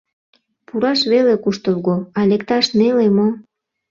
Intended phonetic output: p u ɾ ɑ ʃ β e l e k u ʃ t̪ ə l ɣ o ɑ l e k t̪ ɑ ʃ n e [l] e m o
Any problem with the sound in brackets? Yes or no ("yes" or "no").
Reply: no